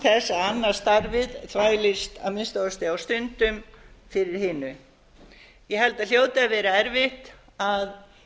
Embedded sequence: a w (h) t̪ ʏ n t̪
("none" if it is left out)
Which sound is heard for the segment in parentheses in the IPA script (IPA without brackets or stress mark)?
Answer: s